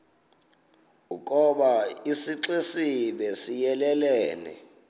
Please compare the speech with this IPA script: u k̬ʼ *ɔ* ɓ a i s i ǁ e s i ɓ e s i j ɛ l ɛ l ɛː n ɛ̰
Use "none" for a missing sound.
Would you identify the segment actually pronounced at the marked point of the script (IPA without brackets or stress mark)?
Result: ɔ